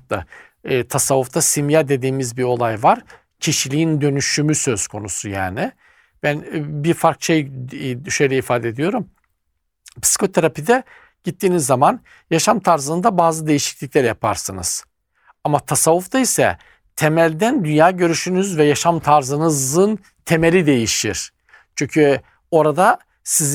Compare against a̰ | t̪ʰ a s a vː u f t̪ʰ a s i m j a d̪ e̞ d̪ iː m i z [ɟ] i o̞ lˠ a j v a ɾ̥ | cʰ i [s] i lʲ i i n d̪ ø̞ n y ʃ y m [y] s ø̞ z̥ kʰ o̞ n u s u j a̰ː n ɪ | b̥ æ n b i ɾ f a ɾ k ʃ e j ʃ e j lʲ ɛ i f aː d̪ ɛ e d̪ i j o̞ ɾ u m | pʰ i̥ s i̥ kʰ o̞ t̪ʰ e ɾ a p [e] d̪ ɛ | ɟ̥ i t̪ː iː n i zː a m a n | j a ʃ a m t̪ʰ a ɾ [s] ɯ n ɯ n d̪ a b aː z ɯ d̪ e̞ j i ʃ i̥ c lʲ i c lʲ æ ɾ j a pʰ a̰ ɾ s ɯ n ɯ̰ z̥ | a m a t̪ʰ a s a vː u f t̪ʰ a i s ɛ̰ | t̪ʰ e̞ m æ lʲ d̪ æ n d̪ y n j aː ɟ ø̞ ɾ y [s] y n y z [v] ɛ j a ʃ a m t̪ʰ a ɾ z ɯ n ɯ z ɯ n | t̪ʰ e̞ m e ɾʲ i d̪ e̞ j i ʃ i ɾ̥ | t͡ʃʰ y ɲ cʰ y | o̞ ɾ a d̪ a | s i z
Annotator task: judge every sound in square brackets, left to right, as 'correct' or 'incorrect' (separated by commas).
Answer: incorrect, incorrect, correct, incorrect, incorrect, incorrect, correct